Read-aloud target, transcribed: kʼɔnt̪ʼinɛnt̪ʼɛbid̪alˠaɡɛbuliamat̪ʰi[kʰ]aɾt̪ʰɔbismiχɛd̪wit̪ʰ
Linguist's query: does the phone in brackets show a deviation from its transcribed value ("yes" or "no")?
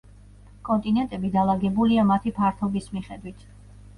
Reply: yes